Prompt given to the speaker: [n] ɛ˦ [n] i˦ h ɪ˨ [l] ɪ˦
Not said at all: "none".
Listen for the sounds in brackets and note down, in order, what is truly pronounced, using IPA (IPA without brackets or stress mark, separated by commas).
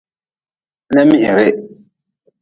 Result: n, m, ɾ